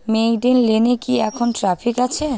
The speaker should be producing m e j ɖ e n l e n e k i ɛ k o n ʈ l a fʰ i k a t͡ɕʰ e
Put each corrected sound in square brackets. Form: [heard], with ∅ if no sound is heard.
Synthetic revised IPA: m e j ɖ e n l e n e k i ɛ [kʰ] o n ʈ [ɾ] a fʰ i k a t͡ɕʰ e